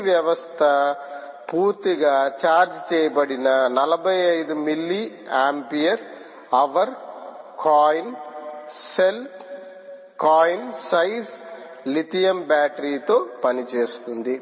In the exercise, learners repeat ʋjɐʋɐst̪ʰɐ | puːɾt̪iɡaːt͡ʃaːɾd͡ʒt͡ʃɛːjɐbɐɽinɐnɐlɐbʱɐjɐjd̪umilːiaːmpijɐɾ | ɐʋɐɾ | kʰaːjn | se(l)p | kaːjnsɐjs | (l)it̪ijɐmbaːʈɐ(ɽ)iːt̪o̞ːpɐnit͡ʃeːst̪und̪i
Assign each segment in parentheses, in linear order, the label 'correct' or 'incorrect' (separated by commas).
correct, correct, incorrect